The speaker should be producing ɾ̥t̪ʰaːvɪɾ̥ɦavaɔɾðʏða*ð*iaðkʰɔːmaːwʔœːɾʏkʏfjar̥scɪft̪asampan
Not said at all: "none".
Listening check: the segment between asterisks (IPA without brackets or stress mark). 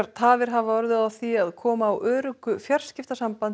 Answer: θ